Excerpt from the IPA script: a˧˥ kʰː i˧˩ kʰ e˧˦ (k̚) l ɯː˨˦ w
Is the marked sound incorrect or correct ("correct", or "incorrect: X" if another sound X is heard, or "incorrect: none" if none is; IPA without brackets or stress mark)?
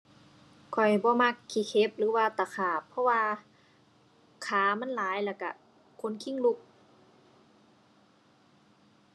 incorrect: p̚